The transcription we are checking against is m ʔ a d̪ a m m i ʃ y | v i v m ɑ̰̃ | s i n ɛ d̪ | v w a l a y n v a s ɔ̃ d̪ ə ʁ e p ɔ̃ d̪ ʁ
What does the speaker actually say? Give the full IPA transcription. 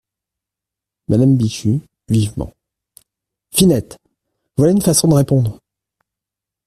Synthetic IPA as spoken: m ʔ a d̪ a m b i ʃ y | v i v m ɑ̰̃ | f i n ɛ t̪ | v w a l a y n f a s ɔ̃ d̪ ə ʁ e p ɔ̃ d̪ ʁ